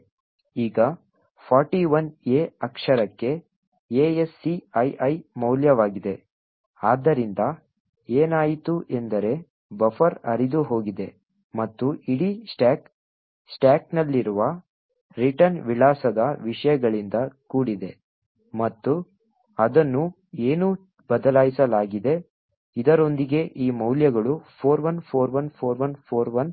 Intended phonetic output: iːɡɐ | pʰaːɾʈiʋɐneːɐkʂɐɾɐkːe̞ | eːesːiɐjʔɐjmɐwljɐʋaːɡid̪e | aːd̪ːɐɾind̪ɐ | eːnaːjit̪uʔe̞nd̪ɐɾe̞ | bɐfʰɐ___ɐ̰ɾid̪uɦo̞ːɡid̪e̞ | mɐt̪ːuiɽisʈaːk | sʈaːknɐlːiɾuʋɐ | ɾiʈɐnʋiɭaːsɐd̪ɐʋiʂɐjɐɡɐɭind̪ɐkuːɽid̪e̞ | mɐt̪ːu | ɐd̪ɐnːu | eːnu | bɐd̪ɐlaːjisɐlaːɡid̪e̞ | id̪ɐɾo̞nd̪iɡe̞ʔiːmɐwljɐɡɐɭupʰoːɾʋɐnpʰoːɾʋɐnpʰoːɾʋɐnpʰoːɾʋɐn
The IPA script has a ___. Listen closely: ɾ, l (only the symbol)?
ɾ